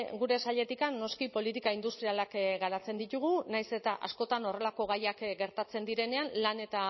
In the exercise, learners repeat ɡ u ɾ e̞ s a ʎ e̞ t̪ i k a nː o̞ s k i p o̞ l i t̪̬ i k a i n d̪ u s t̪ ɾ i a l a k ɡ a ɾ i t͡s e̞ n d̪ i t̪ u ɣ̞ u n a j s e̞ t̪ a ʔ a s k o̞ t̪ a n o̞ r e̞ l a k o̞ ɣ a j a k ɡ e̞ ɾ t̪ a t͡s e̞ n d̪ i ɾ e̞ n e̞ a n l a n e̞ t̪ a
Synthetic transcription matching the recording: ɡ u ɾ e̞ s a ʎ e̞ t̪ i k a nː o̞ s k i p o̞ l i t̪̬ i k a i n d̪ u s t̪ ɾ i a l a k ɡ a ɾ a t͡s e̞ n d̪ i t̪ u ɣ̞ u n a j s e̞ t̪ a ʔ a s k o̞ t̪ a n o̞ r e̞ l a k o̞ ɣ a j a k ɡ e̞ ɾ t̪ a t͡s e̞ n d̪ i ɾ e̞ n e̞ a n l a n e̞ t̪ a